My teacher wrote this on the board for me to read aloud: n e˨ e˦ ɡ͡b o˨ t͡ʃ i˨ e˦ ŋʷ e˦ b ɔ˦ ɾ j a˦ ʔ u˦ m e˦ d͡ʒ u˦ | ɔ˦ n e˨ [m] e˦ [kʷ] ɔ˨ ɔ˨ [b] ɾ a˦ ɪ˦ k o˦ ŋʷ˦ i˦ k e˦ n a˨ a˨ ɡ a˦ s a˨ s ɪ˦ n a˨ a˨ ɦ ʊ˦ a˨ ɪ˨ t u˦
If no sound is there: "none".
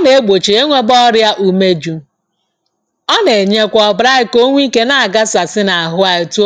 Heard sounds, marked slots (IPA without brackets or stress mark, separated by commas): ɲ, kʷ, b